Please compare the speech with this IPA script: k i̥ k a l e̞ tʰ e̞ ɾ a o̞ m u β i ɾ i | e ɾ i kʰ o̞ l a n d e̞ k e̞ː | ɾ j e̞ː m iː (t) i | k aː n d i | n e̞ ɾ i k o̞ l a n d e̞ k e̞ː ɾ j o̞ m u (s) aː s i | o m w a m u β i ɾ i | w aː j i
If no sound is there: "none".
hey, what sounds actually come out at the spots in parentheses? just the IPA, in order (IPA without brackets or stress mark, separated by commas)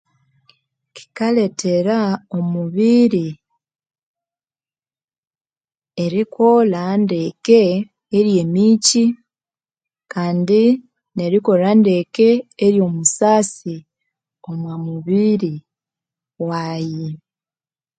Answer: c, s